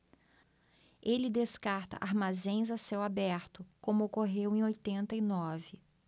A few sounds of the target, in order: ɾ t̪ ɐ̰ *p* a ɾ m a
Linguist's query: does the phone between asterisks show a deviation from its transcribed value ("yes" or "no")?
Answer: yes